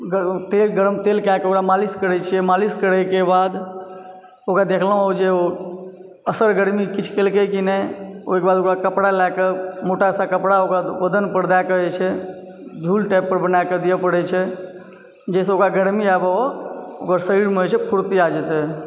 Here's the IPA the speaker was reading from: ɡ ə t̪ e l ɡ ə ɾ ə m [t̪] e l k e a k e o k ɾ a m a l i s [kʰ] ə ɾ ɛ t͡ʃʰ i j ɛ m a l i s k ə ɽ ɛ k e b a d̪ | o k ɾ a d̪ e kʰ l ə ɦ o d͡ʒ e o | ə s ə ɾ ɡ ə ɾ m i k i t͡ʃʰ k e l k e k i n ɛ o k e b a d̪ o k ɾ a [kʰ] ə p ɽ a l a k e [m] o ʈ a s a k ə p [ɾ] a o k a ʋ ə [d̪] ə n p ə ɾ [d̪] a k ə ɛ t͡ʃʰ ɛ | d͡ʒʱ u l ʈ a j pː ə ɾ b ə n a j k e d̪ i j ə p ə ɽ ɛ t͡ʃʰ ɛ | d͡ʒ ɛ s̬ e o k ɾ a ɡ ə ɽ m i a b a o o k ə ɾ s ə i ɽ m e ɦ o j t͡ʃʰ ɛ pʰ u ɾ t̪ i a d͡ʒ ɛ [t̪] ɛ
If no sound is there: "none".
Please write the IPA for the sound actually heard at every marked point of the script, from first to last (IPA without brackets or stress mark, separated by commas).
t̪, k, k, m, ɽ, d̪, d̪, t̪